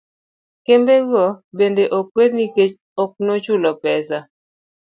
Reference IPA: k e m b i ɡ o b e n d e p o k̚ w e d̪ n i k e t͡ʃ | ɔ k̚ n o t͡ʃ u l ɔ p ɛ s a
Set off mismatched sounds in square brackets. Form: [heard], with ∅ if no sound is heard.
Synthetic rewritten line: k e m b [e] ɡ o b e n d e [ʔ] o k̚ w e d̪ n i k e t͡ʃ | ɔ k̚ n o t͡ʃ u l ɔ p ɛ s a

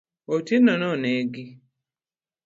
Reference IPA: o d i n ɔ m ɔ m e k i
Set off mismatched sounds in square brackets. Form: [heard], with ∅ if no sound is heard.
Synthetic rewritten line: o [t] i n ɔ [n] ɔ [n] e [ɡ] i

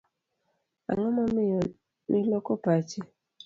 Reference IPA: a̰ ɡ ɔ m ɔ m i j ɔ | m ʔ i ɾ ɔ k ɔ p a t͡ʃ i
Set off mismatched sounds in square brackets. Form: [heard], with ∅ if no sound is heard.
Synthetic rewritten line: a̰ [ŋ] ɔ m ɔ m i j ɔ | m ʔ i [l] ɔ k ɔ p a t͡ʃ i

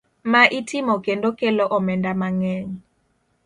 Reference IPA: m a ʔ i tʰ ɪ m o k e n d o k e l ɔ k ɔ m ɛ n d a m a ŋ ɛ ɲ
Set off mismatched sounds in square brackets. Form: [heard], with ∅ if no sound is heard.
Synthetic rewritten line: m a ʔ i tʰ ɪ m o k e n d o k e l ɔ [ʔ] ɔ m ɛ n d a m a ŋ ɛ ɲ

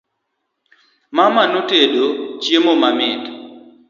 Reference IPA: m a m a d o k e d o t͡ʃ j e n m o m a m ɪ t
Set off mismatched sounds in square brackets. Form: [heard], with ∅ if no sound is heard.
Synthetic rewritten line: m a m a [n] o [t] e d o t͡ʃ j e [∅] m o m a m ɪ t

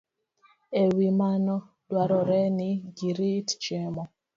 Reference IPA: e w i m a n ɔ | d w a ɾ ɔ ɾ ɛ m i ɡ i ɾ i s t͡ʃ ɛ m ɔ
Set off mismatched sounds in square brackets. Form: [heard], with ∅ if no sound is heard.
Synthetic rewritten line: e w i m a n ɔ | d w a ɾ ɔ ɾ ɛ [n] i ɡ i ɾ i [t] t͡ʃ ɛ m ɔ

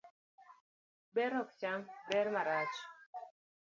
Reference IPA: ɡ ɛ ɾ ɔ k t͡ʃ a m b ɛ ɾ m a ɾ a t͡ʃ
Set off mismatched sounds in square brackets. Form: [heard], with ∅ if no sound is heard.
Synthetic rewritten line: [b] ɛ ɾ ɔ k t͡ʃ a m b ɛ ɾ m a ɾ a t͡ʃ

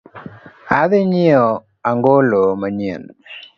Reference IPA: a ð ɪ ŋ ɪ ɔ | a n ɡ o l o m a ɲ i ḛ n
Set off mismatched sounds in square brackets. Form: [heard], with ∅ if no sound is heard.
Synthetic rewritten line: a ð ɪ [ɲ] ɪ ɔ | a [ŋ] ɡ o l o m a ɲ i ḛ n

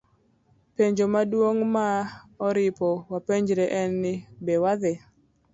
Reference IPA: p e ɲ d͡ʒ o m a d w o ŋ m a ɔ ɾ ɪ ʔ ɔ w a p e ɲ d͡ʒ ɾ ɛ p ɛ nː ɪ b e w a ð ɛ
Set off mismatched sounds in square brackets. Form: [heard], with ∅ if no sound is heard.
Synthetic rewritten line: p e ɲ d͡ʒ o m a d w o ŋ m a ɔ ɾ ɪ [p] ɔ w a p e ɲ d͡ʒ ɾ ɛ [ʔ] ɛ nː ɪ b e w a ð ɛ

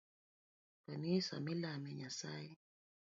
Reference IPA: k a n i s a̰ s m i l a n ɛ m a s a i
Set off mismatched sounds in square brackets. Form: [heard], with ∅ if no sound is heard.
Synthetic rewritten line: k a n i s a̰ [∅] m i l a [m] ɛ [ɲ] a s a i

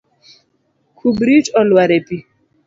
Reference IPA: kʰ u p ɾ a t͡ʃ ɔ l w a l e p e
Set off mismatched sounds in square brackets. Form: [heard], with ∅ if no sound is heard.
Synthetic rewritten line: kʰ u [b] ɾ [i] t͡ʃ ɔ l w a [ɾ] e p [i]

